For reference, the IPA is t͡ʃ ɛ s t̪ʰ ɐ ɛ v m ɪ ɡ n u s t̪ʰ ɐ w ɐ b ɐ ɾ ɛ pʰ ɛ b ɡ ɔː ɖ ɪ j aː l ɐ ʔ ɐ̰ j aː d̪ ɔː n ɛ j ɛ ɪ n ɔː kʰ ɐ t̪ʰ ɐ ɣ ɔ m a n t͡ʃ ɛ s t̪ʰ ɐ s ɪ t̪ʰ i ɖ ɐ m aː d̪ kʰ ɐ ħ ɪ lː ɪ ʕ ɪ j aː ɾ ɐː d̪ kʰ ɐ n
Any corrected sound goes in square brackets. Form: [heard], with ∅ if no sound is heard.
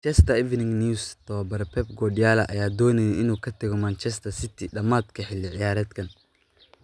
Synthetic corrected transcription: t͡ʃ ɛ s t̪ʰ ɐ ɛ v [n] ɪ [ŋ] n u s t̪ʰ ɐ w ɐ b ɐ ɾ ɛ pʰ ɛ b ɡ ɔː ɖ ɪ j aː l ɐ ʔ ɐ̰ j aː d̪ ɔː n ɛ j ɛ ɪ n [uː] kʰ ɐ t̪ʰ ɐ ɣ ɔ m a n t͡ʃ ɛ s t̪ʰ ɐ s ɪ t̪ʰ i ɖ ɐ m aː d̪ kʰ ɐ ħ ɪ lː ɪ ʕ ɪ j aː ɾ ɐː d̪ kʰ ɐ n